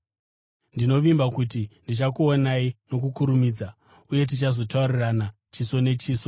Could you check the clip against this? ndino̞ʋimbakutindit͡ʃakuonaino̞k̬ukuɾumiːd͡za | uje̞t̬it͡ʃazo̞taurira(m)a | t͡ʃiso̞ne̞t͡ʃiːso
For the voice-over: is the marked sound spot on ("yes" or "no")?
no